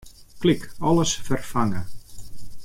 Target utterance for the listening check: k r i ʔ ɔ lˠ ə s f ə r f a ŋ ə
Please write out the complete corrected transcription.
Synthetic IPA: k l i k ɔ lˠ ə s f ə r f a ŋ ə